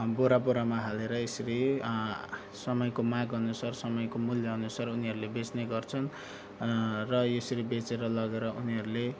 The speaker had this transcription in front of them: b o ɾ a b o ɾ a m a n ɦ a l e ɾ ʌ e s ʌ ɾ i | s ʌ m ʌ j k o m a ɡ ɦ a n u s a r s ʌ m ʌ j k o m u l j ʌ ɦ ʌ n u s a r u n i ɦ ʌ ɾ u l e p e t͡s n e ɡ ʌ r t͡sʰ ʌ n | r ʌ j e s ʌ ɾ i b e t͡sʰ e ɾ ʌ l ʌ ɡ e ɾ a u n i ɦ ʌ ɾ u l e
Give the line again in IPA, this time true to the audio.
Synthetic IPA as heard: b o ɾ a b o ɾ a m a ɦ a l e ɾ ʌ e s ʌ ɾ i | s ʌ m ʌ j k o m a ɡ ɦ ʌ n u s a r s ʌ m ʌ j k o m u l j ʌ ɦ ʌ n u s a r u n i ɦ ʌ ɾ u l e b e t͡s n e ɡ ʌ r t͡sʰ ʌ n | r ʌ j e s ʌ ɾ i b e t͡s e ɾ ʌ l ʌ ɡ e ɾ ʌ u n i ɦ ʌ ɾ u l e

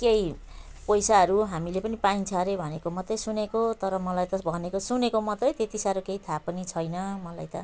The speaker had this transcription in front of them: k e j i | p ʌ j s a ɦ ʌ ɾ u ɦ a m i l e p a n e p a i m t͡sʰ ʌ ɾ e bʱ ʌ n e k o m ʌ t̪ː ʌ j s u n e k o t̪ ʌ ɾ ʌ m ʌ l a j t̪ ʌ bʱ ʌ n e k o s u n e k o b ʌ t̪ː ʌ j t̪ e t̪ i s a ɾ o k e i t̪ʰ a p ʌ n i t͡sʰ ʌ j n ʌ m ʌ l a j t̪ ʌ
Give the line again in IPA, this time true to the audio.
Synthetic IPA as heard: k e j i | p ʌ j s a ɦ ʌ ɾ u ɦ a m i l e p ʌ n i p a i n t͡sʰ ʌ ɾ e bʱ ʌ n e k o m ʌ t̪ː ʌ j s u n e k o t̪ ʌ ɾ ʌ m ʌ l a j t̪ ʌ bʱ ʌ n e k o s u n e k o m ʌ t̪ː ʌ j t̪ e t̪ i s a ɾ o k e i t̪ʰ a p ʌ n i t͡sʰ ʌ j n ʌ m ʌ l a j t̪ ʌ

